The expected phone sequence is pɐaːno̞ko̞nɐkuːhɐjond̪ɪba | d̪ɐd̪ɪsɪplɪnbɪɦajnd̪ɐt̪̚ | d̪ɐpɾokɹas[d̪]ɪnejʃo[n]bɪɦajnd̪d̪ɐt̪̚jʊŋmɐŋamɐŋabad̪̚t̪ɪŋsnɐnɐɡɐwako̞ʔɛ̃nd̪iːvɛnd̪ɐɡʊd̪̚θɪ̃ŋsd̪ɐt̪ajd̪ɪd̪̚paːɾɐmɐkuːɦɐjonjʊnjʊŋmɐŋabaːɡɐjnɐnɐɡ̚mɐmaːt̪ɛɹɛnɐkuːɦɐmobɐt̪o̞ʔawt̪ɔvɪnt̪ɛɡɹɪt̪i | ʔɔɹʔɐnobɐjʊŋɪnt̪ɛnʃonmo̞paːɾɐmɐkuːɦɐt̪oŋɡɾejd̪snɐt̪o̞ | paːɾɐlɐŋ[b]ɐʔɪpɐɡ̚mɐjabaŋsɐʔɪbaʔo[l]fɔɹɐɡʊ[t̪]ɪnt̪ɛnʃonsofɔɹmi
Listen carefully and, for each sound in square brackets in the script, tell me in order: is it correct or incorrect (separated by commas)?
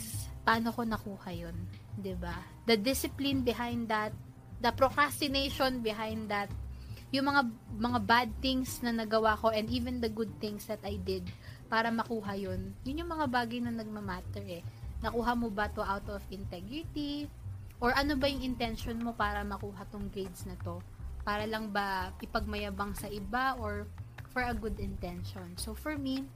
incorrect, correct, correct, incorrect, incorrect